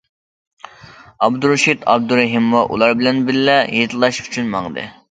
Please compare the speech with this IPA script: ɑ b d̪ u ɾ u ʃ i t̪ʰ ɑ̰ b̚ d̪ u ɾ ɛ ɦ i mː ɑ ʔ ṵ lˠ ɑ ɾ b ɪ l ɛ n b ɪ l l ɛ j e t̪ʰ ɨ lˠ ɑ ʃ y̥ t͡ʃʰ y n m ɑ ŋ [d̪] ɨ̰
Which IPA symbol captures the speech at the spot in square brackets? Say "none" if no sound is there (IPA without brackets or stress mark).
d̪